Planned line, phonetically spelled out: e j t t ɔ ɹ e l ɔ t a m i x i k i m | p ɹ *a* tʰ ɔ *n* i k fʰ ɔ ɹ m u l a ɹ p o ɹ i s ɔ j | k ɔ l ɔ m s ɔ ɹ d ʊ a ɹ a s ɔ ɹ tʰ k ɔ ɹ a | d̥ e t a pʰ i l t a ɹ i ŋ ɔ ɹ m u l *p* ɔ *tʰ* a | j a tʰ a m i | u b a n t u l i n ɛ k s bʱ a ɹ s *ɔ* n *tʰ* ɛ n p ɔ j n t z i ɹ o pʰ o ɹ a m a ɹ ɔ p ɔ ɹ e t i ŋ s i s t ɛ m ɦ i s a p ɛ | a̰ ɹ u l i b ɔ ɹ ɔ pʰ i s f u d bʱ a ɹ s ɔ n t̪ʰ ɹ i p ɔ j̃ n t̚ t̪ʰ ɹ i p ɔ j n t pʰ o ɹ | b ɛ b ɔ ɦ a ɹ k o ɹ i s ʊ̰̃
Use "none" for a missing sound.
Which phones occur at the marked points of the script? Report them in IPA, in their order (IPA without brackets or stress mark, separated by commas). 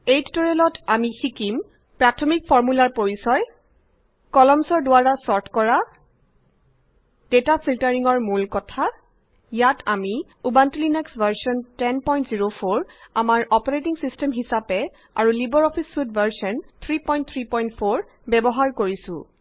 a, m, k, tʰ, ɔ, t